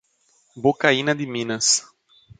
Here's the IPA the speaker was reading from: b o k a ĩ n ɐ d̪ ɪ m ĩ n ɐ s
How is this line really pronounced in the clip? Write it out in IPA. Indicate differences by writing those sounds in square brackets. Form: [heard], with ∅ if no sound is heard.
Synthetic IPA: b o k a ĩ n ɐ d̪ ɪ m ĩ n ɐ s